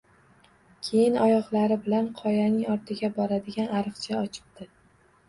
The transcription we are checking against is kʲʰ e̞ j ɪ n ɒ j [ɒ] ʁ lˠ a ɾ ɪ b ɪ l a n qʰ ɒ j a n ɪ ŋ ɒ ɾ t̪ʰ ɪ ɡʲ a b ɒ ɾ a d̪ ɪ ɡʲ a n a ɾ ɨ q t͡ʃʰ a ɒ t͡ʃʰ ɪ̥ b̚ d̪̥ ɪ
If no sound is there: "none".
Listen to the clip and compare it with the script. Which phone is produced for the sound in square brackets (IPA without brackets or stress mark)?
ɒ